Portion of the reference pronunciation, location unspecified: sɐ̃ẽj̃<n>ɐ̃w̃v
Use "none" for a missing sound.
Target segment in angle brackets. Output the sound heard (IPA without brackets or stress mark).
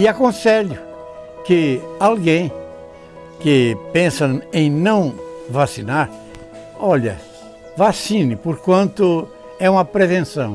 n